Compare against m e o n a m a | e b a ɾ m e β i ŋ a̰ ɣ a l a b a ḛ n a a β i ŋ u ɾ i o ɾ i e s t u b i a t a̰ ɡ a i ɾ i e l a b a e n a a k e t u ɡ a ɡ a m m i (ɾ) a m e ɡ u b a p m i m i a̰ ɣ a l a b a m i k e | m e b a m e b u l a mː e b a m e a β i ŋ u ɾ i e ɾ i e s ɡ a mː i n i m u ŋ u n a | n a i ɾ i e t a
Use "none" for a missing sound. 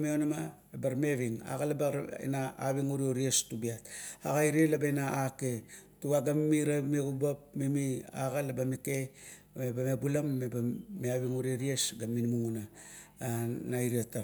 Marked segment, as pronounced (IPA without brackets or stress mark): ɾ